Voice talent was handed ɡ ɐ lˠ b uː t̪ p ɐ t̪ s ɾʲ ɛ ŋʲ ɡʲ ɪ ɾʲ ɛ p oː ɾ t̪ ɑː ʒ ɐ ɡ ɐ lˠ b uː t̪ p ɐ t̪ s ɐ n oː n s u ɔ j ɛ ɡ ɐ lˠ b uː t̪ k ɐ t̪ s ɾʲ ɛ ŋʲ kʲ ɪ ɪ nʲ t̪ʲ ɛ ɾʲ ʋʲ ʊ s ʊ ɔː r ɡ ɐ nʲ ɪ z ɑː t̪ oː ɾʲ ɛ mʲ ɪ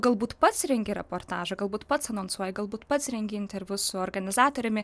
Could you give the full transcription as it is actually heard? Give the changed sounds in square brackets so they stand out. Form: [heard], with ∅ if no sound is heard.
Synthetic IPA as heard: ɡ ɐ lˠ b uː t̪ p ɐ t̪ s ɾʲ ɛ ŋʲ ɡʲ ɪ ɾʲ ɛ p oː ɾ t̪ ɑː ʒ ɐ ɡ ɐ lˠ b uː t̪ p ɐ t̪ s ɐ n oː n s u ɔ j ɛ ɡ ɐ lˠ b uː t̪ [p] ɐ t̪ s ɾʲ ɛ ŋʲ [ɡʲ] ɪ ɪ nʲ t̪ʲ ɛ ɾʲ ʋʲ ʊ s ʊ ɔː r ɡ ɐ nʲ ɪ z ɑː t̪ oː ɾʲ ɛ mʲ ɪ